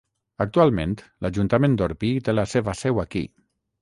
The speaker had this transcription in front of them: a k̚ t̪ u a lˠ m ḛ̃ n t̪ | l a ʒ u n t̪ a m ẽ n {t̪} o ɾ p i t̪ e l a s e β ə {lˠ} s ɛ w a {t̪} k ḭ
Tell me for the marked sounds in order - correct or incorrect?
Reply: incorrect, incorrect, incorrect

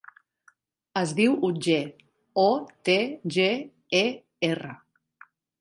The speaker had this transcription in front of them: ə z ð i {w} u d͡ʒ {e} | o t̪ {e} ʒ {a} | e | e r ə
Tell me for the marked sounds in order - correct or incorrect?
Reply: correct, correct, correct, incorrect

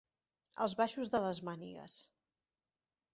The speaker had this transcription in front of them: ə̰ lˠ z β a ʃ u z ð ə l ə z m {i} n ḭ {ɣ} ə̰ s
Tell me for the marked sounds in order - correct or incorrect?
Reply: incorrect, correct

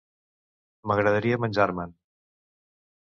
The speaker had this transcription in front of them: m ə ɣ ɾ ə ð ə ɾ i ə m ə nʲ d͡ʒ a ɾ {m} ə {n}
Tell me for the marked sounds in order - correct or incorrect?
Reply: correct, correct

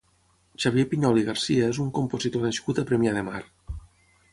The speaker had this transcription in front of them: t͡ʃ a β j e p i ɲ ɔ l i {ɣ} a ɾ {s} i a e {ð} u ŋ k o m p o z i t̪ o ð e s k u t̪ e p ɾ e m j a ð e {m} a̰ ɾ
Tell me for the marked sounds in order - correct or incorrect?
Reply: correct, correct, incorrect, correct

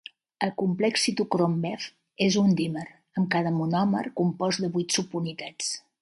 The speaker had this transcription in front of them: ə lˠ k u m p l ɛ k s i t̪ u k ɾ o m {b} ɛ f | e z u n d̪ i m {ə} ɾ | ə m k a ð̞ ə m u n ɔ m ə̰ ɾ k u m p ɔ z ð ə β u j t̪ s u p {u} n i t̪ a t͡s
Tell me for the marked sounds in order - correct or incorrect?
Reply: correct, correct, correct

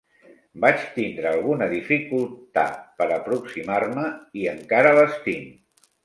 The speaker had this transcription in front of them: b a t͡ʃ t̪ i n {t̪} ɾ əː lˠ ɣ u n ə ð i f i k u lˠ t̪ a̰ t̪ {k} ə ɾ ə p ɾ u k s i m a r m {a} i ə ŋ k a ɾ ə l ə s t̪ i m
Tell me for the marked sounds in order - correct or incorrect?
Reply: incorrect, incorrect, incorrect

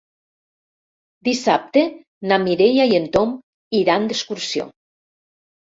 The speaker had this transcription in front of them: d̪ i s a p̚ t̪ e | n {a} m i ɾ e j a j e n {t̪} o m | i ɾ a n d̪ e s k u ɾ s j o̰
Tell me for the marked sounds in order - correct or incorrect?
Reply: correct, correct

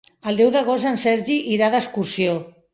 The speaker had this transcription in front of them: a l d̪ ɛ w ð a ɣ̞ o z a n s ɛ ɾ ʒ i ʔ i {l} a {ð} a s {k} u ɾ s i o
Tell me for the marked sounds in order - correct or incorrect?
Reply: incorrect, correct, correct

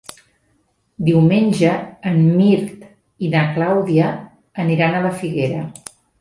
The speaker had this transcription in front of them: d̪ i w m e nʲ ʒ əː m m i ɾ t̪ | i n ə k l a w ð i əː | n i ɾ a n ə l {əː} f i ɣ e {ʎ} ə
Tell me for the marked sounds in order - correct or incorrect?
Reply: incorrect, incorrect

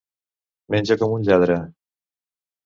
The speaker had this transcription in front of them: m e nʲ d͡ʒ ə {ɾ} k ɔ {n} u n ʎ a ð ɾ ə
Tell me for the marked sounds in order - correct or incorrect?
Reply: incorrect, incorrect

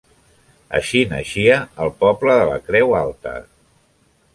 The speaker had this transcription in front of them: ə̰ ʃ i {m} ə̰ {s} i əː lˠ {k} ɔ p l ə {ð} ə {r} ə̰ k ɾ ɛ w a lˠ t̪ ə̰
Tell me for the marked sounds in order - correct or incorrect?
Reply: incorrect, incorrect, incorrect, correct, incorrect

